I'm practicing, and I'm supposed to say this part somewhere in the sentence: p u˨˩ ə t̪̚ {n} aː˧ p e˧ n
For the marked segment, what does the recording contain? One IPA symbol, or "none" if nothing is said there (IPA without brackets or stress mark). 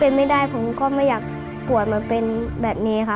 m